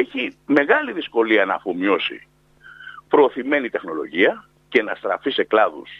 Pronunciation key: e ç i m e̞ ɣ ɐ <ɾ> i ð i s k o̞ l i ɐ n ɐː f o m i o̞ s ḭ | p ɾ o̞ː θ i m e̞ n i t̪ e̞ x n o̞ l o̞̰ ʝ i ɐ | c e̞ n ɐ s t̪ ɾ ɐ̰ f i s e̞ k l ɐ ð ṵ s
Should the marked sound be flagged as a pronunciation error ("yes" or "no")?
yes